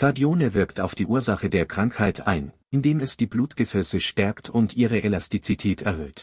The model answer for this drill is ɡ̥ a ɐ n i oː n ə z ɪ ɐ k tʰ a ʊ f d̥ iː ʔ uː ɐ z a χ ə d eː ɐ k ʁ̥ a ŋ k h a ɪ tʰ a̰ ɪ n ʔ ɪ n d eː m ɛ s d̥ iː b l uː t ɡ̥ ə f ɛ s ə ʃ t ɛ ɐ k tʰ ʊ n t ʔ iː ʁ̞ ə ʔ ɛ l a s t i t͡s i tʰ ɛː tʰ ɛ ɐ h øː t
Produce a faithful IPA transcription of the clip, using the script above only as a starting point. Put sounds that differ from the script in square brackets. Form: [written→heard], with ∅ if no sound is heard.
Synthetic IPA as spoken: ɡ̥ a ɐ [n→d] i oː n ə [z→v] ɪ ɐ k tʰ a ʊ f d̥ iː ʔ uː ɐ z a χ ə d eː ɐ k ʁ̥ a ŋ k h a ɪ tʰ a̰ ɪ n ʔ ɪ n d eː m ɛ s d̥ iː b l uː t ɡ̥ ə f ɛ s ə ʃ t ɛ ɐ k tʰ ʊ n t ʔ iː ʁ̞ ə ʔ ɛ l a s t i t͡s i tʰ ɛː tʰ ɛ ɐ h øː t